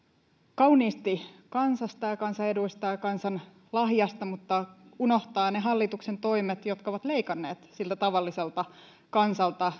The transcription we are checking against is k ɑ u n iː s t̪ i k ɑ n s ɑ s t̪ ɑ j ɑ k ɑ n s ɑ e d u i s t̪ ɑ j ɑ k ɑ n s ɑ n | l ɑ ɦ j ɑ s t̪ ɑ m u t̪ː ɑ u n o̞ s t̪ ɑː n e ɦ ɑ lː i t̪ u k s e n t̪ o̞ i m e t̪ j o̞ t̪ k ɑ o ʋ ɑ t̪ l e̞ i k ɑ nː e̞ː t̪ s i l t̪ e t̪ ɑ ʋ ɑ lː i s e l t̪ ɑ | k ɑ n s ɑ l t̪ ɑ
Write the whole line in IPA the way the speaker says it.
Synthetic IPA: k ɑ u n iː s t̪ i k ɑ n s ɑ s t̪ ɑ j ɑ k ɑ n s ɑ e d u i s t̪ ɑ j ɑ k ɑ n s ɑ n | l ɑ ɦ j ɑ s t̪ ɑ m u t̪ː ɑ u n o̞ h t̪ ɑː n e ɦ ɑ lː i t̪ u k s e n t̪ o̞ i m e t̪ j o̞ t̪ k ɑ o ʋ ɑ t̪ l e̞ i k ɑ nː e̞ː t̪ s i l t̪ æ t̪ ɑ ʋ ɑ lː i s e l t̪ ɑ | k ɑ n s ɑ l t̪ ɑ